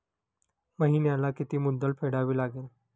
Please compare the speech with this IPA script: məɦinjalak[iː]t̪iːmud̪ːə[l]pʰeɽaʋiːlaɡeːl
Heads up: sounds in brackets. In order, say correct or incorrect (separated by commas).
incorrect, correct